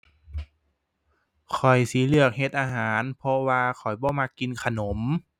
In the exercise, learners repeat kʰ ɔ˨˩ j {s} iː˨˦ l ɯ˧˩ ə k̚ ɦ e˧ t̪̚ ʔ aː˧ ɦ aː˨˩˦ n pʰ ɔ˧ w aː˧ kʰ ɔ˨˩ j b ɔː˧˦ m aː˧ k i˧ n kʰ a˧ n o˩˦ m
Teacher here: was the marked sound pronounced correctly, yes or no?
yes